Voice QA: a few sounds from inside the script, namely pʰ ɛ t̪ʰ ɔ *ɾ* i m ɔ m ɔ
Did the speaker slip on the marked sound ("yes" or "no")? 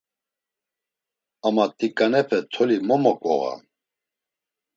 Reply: yes